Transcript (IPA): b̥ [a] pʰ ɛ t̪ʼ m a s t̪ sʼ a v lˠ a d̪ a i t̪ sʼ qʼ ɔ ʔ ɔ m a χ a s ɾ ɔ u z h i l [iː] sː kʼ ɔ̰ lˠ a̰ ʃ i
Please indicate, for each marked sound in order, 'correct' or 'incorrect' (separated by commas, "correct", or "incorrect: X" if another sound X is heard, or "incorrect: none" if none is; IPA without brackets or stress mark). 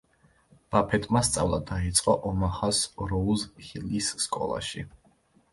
correct, incorrect: i